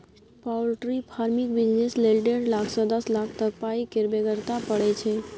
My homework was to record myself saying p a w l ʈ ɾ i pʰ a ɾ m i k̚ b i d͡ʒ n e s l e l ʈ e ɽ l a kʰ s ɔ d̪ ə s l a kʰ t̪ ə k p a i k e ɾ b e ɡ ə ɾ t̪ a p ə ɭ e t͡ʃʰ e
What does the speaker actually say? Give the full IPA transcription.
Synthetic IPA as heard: p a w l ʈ ɾ i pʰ a ɾ m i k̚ b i d͡ʒ n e s l e l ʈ e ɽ l a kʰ s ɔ d̪ ə s l a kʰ t̪ ə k p a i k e ɾ b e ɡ ə ɾ t̪ a p ə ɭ e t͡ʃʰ e